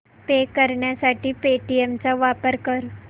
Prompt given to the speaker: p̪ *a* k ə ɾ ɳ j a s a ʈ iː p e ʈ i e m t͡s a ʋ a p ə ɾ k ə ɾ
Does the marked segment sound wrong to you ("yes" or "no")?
yes